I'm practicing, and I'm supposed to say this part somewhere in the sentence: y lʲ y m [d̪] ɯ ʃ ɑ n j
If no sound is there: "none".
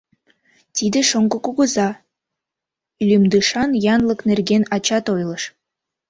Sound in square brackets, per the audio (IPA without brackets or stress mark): d̪